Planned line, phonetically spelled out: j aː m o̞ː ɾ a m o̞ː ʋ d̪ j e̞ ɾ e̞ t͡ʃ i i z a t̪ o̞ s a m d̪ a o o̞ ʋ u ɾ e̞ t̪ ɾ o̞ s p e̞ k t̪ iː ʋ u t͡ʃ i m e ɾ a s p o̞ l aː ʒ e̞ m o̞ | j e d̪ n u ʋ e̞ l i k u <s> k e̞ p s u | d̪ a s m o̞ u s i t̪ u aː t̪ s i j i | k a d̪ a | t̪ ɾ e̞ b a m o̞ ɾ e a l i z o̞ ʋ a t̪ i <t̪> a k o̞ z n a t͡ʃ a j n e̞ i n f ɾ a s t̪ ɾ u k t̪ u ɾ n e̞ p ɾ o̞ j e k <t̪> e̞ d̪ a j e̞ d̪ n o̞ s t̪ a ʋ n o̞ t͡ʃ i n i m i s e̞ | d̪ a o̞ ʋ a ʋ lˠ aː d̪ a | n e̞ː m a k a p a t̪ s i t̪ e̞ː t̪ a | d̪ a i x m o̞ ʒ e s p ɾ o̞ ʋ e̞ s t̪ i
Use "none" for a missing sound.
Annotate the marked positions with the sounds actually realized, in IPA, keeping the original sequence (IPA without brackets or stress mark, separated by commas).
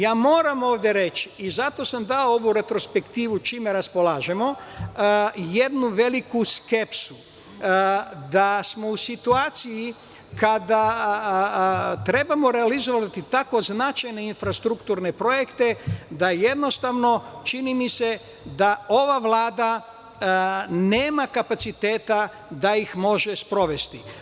s, t̪, t̪